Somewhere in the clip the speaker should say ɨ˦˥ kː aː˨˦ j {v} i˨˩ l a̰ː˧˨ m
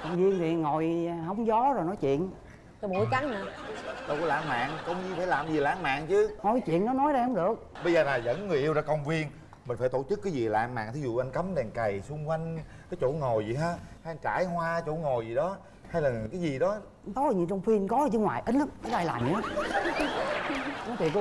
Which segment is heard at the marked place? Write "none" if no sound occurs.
z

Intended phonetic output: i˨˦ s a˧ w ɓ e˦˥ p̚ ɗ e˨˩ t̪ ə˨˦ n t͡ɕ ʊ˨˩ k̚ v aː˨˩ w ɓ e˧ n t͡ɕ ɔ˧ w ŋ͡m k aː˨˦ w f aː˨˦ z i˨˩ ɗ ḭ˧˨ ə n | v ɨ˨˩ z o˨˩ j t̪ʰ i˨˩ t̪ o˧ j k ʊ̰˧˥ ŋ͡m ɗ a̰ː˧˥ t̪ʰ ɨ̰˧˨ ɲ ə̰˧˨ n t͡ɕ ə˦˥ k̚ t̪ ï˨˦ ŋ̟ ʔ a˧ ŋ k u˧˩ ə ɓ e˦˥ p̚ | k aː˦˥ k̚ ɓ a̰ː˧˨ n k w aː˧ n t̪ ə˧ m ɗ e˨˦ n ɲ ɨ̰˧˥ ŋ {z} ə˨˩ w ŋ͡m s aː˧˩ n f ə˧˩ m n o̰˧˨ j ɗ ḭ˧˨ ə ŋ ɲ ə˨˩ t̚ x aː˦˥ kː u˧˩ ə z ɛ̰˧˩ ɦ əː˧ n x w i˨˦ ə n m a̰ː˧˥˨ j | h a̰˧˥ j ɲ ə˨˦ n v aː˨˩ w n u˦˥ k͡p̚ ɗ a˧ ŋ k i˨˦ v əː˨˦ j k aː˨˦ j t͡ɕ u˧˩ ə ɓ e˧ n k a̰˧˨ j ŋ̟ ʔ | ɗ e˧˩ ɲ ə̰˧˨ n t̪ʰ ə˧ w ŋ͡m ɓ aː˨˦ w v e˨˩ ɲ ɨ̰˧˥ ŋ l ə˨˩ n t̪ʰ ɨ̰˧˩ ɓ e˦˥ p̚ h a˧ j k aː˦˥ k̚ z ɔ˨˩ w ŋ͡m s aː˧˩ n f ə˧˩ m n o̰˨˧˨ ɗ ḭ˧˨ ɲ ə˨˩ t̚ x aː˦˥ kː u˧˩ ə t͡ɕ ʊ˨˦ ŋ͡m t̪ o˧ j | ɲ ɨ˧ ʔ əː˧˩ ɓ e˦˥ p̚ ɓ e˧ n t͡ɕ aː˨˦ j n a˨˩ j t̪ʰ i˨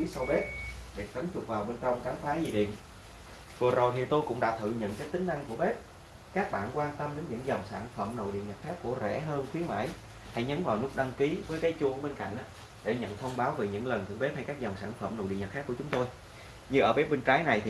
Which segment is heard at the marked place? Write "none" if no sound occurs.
z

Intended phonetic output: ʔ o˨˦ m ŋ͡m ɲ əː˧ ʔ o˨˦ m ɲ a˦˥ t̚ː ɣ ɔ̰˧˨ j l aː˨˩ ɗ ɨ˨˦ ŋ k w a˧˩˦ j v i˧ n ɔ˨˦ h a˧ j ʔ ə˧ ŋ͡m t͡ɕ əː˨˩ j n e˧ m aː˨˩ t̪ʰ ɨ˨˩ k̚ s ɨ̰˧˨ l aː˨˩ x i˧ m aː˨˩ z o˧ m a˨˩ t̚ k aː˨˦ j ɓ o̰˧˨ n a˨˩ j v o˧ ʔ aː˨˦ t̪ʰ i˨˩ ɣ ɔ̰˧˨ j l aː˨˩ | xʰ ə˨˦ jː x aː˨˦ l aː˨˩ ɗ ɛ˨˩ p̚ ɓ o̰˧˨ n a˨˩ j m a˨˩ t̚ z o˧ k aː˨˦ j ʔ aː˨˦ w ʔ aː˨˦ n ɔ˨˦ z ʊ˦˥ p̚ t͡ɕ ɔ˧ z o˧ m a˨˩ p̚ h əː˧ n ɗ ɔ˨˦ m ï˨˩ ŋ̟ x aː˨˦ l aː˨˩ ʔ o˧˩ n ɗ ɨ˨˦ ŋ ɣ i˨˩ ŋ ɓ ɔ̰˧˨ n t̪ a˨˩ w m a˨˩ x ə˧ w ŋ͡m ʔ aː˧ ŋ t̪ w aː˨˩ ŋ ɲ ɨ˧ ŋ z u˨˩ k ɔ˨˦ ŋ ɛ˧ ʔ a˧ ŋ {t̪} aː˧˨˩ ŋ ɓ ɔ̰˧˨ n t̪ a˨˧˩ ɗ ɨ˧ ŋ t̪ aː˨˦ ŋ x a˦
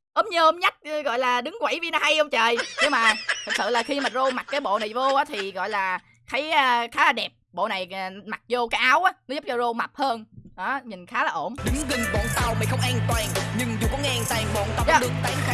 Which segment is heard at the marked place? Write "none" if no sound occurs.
t̪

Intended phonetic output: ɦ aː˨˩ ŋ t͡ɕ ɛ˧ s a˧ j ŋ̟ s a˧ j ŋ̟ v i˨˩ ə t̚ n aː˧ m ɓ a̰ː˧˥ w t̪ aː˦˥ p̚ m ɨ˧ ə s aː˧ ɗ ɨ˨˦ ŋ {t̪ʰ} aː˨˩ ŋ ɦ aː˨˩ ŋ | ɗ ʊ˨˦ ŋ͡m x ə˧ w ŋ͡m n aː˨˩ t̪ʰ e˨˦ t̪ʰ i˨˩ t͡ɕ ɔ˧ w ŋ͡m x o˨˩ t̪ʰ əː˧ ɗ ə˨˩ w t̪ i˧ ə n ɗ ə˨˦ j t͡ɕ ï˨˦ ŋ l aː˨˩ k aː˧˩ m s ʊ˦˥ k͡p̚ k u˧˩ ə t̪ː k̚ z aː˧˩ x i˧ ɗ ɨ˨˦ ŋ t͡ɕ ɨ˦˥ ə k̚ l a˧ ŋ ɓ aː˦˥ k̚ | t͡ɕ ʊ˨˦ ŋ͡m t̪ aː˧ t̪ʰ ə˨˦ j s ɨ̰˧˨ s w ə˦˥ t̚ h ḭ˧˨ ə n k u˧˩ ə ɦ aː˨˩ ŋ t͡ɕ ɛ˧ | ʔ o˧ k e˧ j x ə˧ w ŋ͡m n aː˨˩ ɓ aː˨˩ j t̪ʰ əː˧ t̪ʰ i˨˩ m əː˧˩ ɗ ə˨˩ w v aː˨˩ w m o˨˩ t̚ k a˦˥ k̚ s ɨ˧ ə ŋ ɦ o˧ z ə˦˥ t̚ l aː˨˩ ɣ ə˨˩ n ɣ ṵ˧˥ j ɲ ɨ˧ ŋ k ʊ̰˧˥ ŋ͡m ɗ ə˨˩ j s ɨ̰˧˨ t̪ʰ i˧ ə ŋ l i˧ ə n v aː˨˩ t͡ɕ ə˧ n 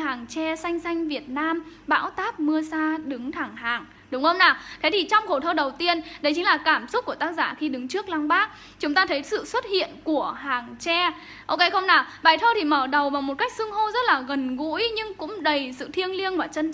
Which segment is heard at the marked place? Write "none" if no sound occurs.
t̪ʰ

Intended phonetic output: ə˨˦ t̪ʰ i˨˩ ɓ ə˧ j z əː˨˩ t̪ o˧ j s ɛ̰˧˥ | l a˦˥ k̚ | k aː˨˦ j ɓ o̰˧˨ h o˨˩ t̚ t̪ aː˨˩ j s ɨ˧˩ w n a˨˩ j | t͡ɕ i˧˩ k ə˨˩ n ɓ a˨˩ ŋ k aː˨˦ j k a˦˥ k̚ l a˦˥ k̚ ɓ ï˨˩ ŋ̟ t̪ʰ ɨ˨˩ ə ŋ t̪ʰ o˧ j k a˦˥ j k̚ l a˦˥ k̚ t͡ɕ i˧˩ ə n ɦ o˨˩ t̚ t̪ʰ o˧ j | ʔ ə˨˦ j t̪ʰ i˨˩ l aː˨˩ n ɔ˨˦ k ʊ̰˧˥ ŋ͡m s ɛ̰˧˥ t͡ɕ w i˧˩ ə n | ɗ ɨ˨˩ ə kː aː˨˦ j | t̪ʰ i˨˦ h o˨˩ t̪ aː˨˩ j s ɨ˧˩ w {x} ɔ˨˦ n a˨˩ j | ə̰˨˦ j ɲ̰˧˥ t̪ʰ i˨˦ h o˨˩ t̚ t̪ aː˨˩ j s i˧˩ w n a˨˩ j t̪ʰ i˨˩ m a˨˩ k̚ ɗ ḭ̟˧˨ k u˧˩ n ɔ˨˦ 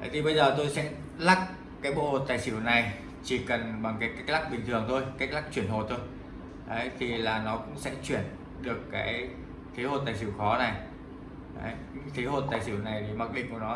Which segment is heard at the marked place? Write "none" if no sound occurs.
x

